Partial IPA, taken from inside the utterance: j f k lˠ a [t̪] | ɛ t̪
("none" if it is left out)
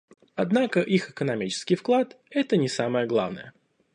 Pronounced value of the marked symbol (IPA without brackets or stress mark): t̪